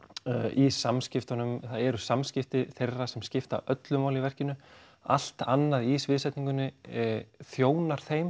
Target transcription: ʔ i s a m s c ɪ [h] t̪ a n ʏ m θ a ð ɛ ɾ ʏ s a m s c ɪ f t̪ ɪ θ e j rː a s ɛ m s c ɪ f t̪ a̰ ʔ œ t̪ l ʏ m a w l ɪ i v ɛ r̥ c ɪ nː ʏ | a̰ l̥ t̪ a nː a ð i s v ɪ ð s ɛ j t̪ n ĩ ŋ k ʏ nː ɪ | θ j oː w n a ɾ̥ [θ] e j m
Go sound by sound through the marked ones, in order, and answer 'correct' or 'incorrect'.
incorrect: f, correct

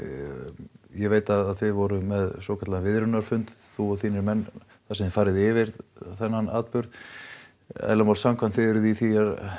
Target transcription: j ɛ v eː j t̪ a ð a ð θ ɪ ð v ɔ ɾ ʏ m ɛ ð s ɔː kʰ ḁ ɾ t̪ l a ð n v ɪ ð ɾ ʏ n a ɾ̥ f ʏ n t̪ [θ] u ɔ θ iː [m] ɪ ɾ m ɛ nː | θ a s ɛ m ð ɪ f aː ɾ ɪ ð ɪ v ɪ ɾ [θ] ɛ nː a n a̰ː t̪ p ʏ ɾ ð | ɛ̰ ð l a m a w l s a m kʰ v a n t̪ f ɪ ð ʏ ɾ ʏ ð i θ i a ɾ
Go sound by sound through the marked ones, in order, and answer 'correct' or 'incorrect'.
correct, incorrect: n, correct

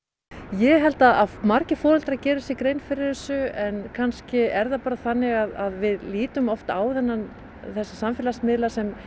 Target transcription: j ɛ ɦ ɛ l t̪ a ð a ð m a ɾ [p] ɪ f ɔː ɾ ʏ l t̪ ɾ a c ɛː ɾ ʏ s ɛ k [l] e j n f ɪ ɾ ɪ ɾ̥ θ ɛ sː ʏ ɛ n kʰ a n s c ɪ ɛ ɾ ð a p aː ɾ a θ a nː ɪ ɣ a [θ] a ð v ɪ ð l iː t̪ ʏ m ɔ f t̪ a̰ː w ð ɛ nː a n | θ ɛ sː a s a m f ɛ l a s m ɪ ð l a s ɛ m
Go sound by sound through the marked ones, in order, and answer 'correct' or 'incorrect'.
incorrect: c, incorrect: ɾ, incorrect: ð

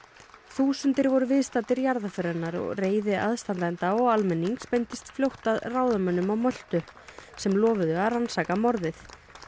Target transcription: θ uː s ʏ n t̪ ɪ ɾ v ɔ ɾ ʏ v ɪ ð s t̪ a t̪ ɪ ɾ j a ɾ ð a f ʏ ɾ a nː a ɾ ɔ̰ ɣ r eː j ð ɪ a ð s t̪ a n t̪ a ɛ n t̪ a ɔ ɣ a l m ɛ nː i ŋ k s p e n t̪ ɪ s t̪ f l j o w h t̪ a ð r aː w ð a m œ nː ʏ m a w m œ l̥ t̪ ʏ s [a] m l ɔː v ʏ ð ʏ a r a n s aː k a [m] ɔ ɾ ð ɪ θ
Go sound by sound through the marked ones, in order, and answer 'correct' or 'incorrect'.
incorrect: ɛ, correct

